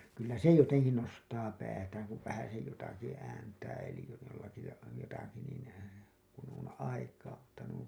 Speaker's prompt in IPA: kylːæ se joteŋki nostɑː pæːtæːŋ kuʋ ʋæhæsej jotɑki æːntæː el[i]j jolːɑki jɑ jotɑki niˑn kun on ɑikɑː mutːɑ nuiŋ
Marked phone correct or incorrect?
correct